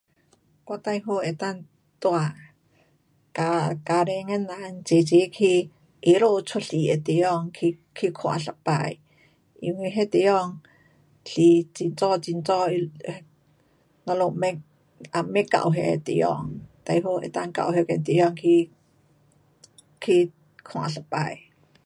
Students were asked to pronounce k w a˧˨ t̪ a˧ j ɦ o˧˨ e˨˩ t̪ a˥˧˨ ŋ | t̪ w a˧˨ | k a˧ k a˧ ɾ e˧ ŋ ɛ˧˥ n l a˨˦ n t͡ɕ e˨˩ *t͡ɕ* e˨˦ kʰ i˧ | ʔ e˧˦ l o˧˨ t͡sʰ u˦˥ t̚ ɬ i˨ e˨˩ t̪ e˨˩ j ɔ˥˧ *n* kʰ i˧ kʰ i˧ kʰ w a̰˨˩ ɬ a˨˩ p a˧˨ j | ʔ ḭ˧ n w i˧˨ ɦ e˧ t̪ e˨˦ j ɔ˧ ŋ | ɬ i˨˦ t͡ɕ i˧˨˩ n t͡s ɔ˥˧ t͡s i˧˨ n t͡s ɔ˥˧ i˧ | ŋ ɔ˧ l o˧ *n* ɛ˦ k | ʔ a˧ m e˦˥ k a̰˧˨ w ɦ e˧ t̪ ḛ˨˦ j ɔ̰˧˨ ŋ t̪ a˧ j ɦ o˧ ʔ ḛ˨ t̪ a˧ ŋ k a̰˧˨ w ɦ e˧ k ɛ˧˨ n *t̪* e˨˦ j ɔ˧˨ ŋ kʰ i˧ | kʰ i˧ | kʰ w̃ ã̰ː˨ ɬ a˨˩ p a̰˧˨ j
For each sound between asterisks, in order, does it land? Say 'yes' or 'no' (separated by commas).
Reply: yes, no, no, yes